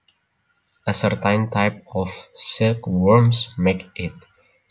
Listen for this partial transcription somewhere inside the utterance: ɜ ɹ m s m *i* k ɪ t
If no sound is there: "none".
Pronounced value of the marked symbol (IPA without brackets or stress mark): e